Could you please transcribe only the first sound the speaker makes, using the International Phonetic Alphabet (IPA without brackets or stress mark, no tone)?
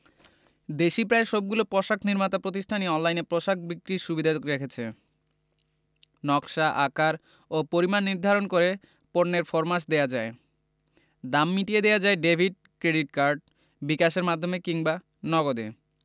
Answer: d̪